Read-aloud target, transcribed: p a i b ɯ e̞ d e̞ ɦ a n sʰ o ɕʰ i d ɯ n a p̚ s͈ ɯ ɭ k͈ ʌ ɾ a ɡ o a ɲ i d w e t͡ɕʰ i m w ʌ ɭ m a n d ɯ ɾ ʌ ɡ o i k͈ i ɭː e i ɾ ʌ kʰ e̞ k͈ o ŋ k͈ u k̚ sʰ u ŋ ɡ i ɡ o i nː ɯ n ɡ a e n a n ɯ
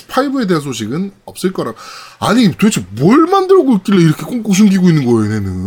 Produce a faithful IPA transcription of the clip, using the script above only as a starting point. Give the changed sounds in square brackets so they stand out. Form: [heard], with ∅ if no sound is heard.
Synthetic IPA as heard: [pʰ] a i b ɯ e̞ d e̞ ɦ a n sʰ o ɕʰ i [ɡ] ɯ n [ʌ] p̚ s͈ ɯ ɭ k͈ ʌ ɾ a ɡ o a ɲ i [t] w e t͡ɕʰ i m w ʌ ɭ m a n d ɯ ɾ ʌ ɡ o i k͈ i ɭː e i ɾ ʌ kʰ e̞ k͈ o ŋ k͈ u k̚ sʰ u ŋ ɡ i ɡ o i nː ɯ n ɡ [ʌ] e n [e] n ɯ